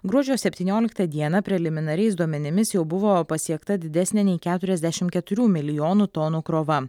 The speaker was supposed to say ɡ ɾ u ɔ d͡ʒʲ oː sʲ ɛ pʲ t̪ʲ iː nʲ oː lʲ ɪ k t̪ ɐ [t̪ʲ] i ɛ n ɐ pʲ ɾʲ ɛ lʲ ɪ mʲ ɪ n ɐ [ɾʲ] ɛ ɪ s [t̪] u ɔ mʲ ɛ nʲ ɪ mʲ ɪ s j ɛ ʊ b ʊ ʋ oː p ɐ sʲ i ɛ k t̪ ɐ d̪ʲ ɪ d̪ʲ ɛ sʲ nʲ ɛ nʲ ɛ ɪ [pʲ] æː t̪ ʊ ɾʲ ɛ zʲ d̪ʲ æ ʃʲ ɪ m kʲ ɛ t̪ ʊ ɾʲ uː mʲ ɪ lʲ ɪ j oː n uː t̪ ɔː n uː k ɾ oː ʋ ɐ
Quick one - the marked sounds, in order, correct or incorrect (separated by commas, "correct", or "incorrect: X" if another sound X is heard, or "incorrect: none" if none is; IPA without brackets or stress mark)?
incorrect: d̪ʲ, correct, incorrect: d̪, incorrect: kʲ